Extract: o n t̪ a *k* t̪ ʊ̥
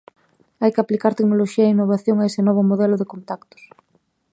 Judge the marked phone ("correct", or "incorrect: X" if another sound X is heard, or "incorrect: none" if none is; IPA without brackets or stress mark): correct